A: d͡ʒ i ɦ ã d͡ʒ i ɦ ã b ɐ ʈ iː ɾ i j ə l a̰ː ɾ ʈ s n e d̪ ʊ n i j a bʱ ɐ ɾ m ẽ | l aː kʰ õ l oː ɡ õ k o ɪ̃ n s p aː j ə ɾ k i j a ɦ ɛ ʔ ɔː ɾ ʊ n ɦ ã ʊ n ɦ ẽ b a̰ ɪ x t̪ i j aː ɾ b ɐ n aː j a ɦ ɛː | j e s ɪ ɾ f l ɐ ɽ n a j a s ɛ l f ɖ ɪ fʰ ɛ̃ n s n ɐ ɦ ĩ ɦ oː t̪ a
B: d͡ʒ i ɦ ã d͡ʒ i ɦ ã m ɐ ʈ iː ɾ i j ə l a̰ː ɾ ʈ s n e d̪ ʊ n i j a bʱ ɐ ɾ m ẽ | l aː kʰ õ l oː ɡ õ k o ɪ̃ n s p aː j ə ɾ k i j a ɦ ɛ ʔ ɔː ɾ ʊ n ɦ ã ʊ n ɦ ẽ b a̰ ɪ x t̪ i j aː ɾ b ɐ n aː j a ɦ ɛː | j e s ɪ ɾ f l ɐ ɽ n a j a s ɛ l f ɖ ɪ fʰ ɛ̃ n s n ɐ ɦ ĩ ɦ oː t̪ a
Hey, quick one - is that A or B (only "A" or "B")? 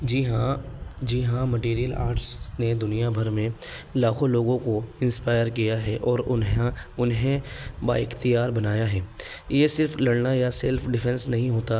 B